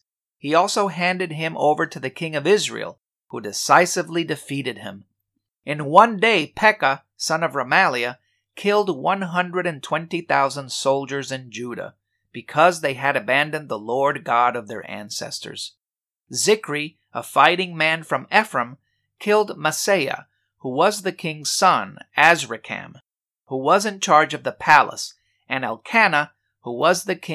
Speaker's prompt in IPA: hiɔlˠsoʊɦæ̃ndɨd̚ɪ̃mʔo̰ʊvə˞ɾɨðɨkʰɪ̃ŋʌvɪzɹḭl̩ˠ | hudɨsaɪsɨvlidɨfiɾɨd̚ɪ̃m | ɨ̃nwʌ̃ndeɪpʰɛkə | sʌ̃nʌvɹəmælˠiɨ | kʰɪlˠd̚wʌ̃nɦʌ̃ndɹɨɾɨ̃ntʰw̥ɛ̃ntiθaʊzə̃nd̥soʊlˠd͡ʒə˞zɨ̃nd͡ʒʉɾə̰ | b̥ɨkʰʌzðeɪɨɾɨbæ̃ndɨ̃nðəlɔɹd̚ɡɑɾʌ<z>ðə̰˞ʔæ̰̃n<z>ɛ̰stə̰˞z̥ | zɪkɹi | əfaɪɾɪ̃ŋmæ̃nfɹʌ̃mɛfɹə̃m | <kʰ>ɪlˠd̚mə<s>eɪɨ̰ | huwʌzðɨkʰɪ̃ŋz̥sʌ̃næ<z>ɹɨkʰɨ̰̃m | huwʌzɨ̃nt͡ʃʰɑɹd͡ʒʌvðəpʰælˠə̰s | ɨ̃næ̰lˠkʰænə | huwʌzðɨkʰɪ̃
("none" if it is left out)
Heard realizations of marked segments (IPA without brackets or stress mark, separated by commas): v, s, kʰ, s, z